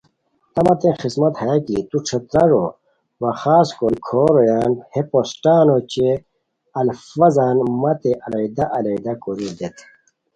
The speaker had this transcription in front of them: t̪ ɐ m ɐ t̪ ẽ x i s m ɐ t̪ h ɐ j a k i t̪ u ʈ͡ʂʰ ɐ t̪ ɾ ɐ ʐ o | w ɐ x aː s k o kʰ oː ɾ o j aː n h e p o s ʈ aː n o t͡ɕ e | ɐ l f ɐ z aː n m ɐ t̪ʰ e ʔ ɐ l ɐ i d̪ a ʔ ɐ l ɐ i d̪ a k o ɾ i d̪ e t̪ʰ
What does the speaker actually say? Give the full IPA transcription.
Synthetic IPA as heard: t̪ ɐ m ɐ t̪ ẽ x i s m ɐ t̪ h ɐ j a k i t̪ u ʈ͡ʂʰ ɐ t̪ ɾ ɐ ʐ o | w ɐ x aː s k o kʰ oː ɾ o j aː n h e p o s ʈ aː n o t͡ɕ e | ɐ l f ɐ z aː n m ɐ t̪ e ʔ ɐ l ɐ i d̪ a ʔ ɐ l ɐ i d̪ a k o ɾ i d̪ e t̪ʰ